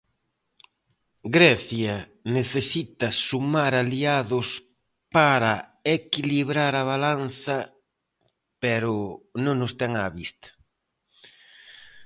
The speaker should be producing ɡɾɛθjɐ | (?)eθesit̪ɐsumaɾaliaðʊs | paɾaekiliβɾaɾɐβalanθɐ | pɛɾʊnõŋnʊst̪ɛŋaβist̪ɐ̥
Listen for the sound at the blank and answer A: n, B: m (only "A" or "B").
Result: A